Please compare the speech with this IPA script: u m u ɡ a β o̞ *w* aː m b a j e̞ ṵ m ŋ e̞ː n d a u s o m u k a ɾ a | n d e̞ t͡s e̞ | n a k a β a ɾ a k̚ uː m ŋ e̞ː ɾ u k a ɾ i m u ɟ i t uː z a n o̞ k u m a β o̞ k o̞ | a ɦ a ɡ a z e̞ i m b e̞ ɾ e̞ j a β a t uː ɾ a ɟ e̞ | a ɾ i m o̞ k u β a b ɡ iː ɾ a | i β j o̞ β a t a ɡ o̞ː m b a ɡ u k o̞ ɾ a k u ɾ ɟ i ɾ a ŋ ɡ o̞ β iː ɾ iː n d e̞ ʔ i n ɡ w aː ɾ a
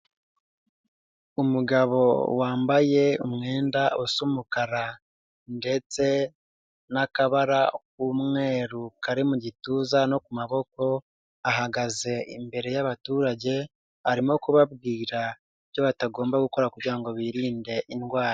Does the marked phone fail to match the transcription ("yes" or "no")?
no